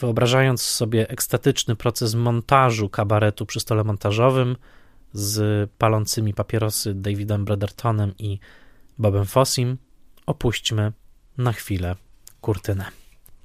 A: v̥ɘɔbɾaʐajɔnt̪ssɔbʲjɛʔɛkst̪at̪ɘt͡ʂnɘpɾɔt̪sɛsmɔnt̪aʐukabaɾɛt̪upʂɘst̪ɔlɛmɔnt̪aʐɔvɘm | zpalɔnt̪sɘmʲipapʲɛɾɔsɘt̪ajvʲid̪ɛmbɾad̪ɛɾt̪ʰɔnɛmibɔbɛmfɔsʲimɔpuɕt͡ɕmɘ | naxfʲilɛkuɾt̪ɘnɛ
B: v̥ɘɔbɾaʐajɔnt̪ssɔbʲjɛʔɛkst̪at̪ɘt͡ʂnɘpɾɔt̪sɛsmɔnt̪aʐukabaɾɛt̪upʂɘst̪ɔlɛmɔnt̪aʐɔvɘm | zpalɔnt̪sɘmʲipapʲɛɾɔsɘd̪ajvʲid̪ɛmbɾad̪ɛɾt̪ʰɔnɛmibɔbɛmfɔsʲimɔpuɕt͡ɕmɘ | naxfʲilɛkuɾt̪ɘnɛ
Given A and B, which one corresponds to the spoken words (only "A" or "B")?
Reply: B